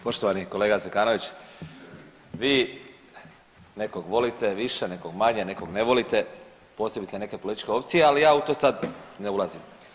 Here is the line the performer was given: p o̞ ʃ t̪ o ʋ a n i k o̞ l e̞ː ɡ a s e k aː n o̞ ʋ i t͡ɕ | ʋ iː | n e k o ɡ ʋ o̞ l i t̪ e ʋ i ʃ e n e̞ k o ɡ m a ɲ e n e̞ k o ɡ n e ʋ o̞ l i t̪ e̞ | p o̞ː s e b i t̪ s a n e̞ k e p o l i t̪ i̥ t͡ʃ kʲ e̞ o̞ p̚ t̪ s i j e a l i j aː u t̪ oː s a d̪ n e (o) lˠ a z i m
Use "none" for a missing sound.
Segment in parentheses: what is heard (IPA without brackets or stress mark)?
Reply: u